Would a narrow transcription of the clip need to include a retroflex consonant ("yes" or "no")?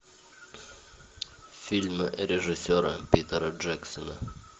yes